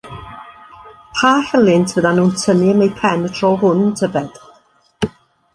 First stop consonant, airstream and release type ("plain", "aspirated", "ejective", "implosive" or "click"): aspirated